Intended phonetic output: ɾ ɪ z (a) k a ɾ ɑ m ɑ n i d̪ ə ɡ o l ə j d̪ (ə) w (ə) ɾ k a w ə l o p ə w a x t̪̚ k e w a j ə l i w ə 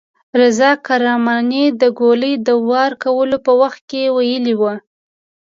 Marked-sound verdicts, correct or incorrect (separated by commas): incorrect, correct, incorrect